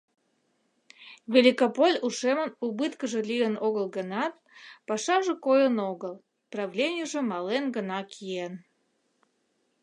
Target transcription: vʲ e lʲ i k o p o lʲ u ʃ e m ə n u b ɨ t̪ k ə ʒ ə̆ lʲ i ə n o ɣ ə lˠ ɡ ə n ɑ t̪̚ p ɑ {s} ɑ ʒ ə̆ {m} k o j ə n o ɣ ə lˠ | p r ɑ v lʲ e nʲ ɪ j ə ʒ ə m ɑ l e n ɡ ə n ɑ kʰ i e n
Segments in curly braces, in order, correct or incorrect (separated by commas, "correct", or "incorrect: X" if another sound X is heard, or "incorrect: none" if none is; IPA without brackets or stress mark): incorrect: ʃ, incorrect: none